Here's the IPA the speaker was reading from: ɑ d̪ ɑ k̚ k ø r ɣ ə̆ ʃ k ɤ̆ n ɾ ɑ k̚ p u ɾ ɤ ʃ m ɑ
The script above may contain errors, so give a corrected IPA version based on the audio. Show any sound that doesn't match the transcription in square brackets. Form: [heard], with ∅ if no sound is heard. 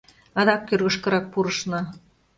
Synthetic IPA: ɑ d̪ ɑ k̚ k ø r ɣ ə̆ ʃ k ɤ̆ [∅] ɾ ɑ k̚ p u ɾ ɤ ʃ [n] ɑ